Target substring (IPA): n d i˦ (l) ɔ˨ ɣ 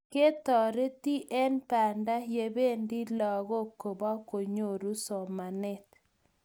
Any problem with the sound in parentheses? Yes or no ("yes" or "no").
no